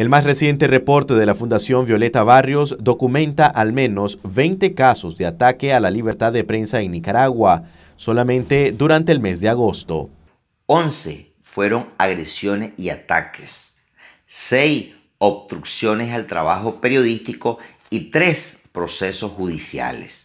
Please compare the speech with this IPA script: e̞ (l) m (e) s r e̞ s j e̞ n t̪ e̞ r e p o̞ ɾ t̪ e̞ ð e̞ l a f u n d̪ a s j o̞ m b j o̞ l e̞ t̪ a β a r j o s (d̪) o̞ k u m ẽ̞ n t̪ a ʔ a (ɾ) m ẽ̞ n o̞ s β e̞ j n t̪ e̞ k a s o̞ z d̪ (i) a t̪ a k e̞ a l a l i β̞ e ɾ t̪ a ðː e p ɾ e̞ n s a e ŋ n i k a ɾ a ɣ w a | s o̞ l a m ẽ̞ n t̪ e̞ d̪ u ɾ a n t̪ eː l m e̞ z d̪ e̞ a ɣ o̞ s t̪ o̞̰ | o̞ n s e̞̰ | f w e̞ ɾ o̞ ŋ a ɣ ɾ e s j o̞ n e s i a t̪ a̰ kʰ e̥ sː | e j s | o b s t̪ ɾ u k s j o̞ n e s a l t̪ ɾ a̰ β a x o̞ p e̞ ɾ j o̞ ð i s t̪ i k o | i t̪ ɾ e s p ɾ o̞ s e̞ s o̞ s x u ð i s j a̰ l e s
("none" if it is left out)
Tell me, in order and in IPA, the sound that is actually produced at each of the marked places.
l, a, d̪, l, e

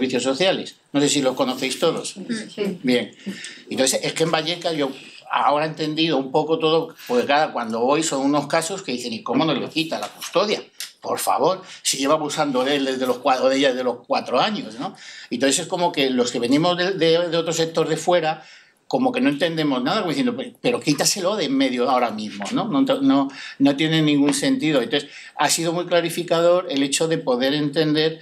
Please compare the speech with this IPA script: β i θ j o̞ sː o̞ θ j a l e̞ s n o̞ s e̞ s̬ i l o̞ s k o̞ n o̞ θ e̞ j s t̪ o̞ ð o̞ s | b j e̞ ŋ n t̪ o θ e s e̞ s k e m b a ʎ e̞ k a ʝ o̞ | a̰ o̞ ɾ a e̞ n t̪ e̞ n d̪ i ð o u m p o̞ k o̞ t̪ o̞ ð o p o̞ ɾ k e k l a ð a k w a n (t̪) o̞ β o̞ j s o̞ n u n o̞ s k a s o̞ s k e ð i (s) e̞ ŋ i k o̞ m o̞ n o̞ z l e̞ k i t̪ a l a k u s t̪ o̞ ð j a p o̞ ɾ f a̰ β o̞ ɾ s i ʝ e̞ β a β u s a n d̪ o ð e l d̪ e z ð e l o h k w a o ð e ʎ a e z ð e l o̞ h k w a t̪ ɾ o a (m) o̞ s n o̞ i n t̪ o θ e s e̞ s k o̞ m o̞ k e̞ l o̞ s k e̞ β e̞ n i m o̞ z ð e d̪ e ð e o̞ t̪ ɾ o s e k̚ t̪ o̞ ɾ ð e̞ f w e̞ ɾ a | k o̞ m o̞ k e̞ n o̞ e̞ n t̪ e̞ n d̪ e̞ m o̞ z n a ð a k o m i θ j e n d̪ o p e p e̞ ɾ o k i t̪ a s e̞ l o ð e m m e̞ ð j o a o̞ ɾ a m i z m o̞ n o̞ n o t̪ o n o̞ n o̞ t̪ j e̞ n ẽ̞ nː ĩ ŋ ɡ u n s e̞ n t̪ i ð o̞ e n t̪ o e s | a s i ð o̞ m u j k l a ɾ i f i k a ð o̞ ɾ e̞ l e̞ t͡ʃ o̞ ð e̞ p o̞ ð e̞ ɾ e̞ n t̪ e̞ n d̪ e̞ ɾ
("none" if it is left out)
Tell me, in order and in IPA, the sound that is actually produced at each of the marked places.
d̪, θ, ɲ

